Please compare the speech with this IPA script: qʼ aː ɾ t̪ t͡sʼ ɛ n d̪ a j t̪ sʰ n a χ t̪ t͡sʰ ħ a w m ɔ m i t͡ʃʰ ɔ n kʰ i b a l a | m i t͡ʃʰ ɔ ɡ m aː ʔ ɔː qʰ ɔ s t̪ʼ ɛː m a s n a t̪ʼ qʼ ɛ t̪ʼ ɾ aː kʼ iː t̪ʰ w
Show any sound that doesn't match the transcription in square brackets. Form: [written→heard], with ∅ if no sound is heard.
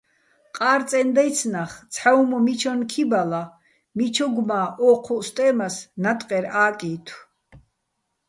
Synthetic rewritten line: qʼ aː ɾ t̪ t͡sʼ ɛ n d̪ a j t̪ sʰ n a χ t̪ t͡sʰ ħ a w m ɔ m i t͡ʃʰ ɔ n kʰ i b a l a | m i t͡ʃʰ ɔ ɡ m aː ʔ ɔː qʰ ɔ s t̪ʼ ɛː m a s n a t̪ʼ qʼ ɛ [t̪ʼ→∅] ɾ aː kʼ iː t̪ʰ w